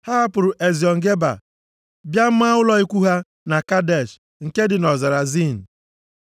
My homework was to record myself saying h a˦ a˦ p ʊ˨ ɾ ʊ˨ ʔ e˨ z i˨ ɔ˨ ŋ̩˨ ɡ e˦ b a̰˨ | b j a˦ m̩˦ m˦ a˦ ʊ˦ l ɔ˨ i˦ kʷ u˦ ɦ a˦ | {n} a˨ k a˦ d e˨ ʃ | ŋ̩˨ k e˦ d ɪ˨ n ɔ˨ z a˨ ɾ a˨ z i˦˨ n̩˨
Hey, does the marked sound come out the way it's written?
yes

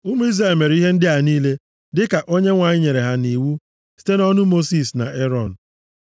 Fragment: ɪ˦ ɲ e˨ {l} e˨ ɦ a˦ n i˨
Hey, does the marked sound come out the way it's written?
no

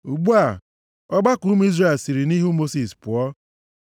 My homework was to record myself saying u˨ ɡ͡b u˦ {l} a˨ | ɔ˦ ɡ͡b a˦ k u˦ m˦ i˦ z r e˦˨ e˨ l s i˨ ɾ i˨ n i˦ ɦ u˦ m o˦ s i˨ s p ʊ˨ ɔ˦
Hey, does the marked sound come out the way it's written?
no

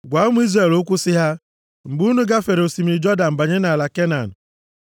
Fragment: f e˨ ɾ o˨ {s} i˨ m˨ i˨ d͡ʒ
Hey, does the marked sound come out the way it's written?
yes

